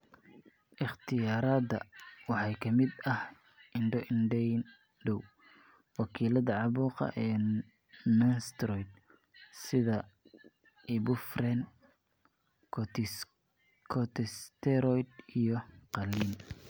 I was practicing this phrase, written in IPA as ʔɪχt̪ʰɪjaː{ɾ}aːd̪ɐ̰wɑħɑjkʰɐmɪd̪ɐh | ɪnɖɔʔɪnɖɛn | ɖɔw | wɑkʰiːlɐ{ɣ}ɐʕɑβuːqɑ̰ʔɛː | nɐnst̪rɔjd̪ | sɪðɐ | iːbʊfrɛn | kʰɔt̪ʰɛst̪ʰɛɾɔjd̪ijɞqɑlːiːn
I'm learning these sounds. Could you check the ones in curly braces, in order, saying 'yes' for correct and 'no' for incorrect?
yes, no

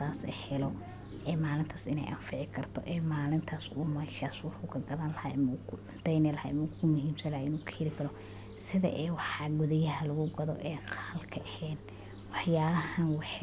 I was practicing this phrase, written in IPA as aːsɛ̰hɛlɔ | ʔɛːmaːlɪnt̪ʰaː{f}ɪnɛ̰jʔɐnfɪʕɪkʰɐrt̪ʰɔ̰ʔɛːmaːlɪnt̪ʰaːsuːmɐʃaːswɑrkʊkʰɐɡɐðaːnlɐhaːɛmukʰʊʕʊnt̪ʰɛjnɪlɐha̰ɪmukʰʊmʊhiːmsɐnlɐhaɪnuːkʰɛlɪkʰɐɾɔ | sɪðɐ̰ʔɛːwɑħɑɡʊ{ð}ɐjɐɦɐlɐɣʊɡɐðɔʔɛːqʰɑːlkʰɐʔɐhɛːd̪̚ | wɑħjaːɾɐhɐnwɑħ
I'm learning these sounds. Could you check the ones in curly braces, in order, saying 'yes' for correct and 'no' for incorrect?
no, yes

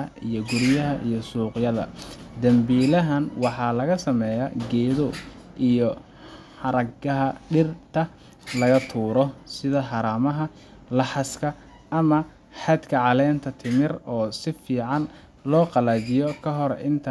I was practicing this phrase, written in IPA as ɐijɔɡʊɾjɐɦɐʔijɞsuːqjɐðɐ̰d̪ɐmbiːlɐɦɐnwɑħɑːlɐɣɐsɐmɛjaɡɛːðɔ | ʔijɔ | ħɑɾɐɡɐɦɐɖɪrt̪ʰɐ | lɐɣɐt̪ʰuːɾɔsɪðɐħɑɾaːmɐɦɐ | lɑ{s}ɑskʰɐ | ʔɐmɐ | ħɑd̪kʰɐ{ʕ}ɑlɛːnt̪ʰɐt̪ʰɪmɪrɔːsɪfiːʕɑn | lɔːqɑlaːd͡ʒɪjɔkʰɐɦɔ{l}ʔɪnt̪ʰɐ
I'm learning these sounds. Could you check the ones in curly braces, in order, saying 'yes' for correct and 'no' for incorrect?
no, yes, no

